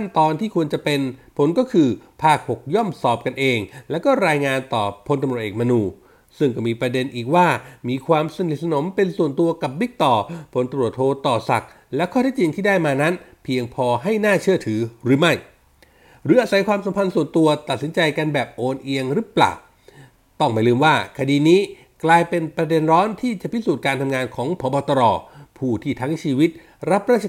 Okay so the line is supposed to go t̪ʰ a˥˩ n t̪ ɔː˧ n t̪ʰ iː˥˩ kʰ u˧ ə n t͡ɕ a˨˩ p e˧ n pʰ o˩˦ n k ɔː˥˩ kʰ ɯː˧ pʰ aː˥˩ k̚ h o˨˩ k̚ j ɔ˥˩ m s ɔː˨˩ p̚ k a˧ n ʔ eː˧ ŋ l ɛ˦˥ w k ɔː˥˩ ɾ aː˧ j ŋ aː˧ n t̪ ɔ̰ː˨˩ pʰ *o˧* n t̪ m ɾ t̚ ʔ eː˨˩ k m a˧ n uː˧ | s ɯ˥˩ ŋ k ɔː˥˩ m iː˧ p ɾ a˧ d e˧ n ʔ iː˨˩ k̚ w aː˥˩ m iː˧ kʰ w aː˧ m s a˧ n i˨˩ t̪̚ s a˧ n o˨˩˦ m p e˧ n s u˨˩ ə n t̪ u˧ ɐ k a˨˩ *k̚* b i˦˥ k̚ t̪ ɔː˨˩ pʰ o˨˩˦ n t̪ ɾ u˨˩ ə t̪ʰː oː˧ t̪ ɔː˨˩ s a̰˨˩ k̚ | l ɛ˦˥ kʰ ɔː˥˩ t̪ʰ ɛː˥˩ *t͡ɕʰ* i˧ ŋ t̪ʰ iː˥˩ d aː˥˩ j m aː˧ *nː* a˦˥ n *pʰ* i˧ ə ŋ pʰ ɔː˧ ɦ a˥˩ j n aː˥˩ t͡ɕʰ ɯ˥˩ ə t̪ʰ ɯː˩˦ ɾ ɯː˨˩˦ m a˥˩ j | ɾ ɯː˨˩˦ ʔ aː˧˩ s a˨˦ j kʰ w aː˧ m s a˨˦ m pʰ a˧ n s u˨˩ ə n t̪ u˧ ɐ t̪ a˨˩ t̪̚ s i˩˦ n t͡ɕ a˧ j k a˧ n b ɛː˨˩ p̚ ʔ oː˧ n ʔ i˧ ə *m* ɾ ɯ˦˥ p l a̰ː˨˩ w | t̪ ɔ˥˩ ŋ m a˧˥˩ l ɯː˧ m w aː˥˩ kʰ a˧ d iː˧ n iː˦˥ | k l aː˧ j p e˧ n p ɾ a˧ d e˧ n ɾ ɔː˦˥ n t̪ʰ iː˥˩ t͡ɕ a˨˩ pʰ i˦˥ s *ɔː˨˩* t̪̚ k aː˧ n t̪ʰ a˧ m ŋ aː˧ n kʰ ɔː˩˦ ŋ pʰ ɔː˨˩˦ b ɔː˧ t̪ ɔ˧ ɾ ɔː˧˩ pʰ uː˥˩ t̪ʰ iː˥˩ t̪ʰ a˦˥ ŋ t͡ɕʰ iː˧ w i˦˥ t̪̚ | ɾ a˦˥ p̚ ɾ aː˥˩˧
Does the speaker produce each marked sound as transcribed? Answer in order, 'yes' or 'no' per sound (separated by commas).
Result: yes, no, no, no, yes, no, no